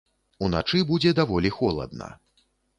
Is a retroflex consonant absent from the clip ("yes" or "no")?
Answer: no